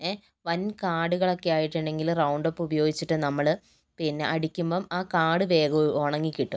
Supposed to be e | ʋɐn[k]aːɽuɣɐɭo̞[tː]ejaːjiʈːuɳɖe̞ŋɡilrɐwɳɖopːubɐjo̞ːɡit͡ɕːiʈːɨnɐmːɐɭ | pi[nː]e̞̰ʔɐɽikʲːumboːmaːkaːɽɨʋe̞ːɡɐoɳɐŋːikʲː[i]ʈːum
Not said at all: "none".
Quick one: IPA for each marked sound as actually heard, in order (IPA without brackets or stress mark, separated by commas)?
k, kː, nː, i